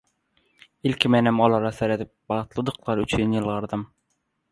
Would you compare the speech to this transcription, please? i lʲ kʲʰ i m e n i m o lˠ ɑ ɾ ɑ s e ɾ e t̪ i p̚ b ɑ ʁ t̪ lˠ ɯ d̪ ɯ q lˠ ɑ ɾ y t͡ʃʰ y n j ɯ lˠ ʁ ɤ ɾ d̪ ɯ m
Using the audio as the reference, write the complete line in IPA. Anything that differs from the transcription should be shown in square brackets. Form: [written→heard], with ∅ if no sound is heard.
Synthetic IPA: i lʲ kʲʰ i m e n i m o lˠ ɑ ɾ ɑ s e ɾ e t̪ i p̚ b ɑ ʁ t̪ lˠ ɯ d̪ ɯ q lˠ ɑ ɾ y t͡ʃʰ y n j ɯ lˠ ʁ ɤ ɾ d̪ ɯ m